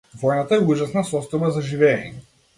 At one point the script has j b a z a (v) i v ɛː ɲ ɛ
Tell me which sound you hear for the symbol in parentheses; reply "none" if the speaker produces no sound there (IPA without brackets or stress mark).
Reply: ʒ